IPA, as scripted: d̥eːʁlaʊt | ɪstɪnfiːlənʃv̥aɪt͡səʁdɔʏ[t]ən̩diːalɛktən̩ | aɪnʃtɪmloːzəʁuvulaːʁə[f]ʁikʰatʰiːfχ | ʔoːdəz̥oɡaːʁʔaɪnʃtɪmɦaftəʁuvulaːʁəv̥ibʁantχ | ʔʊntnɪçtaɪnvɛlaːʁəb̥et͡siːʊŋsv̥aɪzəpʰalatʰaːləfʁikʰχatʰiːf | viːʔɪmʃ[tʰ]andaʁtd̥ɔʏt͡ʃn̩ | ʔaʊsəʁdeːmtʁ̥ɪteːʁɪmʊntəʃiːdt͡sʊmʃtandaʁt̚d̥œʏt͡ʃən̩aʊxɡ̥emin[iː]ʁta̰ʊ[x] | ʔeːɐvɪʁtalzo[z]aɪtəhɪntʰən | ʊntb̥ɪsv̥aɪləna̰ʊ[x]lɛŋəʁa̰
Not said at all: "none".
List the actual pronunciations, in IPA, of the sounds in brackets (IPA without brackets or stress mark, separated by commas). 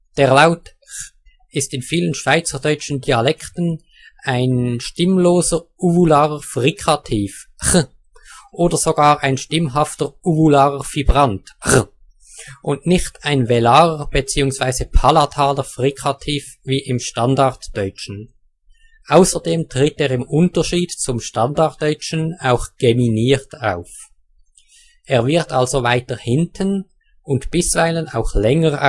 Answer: t͡ʃ, f, t, iː, f, v, x